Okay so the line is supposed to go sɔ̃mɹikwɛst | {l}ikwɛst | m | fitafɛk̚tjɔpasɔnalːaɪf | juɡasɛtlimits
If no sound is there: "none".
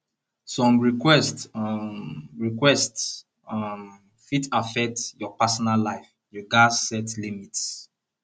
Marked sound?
ɹ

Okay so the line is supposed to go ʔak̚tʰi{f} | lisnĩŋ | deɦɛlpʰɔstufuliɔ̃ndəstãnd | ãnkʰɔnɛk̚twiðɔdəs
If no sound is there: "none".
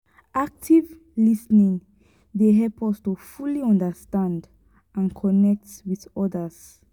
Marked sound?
v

